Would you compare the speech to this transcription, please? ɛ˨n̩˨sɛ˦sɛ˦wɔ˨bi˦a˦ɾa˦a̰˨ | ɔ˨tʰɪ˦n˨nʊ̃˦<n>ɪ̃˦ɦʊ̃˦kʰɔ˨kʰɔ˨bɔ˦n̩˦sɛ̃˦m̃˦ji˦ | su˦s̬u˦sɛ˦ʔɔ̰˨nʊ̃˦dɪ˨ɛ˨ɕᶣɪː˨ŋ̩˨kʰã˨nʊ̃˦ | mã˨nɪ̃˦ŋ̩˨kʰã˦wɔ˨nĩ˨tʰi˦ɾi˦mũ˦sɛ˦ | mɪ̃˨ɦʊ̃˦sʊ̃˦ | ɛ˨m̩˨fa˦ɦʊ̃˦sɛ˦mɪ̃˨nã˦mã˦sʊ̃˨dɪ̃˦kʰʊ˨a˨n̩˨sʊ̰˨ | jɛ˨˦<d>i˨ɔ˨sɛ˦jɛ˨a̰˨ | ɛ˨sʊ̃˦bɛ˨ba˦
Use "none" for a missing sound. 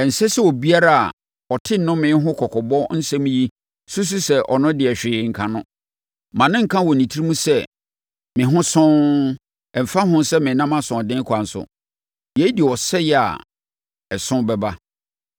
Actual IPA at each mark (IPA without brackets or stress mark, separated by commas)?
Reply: m, d